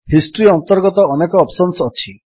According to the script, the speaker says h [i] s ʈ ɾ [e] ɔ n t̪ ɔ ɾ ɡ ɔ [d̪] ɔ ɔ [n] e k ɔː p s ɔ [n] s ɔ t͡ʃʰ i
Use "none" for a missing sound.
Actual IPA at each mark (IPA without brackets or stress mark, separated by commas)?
i, i, t̪, n, n